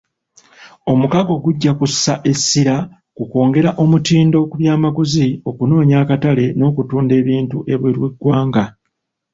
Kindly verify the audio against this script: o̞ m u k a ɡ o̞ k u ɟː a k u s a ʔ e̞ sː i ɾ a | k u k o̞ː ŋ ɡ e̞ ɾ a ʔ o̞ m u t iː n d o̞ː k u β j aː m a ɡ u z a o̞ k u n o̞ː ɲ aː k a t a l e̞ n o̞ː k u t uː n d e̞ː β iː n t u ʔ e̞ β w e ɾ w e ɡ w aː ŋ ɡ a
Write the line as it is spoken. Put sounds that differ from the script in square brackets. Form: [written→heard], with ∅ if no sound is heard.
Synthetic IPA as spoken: o̞ m u k a ɡ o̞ [k→ɡ] u ɟː a k u s a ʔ e̞ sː i ɾ a | k u k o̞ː ŋ ɡ e̞ ɾ a ʔ o̞ m u t iː n d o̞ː k u β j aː m a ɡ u z [a→i] o̞ k u n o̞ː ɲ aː k a t a l e̞ n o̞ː k u t uː n d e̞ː β iː n t u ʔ e̞ β w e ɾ w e ɡ w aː ŋ ɡ a